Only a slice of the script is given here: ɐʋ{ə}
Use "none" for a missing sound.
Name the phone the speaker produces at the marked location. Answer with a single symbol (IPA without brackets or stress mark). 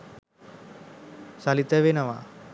a